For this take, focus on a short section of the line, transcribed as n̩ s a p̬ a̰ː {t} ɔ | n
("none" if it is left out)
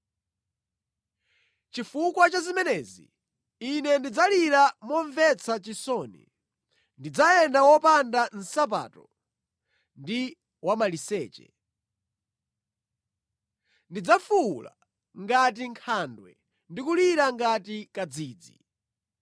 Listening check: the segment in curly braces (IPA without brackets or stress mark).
t